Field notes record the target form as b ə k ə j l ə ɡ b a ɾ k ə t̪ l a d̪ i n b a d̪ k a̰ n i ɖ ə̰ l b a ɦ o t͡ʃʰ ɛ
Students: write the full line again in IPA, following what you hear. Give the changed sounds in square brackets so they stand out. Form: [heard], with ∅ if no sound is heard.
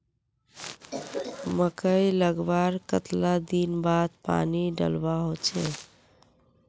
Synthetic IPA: [m] ə k ə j l ə ɡ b a ɾ k ə t̪ l a d̪ i n b a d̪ [p] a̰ n i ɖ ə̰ l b a ɦ o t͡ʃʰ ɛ